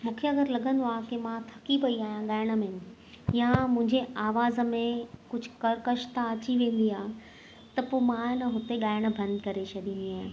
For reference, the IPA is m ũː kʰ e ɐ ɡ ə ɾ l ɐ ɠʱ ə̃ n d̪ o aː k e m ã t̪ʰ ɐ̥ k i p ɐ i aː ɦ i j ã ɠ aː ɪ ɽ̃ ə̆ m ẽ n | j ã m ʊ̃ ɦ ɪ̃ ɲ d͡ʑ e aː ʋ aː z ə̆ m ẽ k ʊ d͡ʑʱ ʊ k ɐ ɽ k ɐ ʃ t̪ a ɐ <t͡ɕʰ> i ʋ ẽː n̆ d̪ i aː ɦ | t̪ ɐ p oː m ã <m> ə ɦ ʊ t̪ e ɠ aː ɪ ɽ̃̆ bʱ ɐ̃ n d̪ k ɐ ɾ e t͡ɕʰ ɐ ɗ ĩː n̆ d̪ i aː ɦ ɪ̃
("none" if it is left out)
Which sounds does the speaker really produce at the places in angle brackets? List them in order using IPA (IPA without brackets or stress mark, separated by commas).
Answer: t͡ɕ, n